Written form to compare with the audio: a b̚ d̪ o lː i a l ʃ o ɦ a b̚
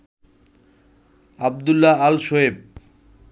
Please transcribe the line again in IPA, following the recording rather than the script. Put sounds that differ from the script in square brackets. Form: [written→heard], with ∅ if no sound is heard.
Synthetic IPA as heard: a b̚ d̪ [o→u] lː [i→a] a l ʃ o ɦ [a→e] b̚